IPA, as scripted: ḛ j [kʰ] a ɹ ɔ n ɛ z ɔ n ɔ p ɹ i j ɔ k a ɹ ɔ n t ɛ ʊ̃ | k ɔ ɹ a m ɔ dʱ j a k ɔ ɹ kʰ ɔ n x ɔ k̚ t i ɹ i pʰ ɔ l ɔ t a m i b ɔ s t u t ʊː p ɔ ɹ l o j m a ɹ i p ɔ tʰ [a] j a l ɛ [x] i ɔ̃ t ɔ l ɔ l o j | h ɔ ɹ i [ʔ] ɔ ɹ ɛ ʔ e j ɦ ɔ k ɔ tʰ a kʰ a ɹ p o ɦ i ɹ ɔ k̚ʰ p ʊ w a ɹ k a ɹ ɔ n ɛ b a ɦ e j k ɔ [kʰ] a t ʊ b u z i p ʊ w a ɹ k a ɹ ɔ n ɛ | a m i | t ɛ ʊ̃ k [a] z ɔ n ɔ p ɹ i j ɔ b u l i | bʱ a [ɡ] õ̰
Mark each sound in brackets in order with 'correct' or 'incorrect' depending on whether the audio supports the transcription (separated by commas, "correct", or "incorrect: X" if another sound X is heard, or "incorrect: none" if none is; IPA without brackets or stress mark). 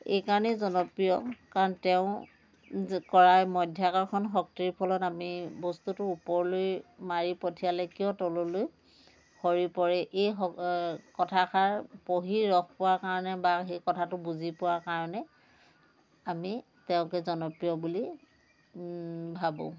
incorrect: k, incorrect: i, incorrect: k, incorrect: p, incorrect: tʰ, incorrect: ɛ, incorrect: b